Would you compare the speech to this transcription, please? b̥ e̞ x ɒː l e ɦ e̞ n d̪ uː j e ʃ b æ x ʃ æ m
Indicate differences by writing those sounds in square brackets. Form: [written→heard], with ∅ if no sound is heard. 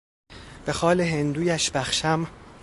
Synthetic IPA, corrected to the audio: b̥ e̞ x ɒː l e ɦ e̞ n d̪ uː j [e→æ] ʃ b æ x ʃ æ m